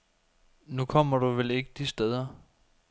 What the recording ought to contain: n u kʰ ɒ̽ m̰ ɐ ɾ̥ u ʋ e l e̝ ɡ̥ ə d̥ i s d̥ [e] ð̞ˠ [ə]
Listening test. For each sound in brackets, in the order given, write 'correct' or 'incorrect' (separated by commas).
correct, incorrect